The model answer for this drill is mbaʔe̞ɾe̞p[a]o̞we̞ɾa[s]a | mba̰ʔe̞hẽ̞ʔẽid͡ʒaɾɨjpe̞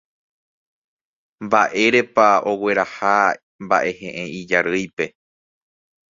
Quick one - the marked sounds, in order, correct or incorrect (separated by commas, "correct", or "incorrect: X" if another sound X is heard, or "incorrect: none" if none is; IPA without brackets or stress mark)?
correct, incorrect: h